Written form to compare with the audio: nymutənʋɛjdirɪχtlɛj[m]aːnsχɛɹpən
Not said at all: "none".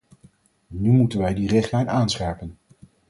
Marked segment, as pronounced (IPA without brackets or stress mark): n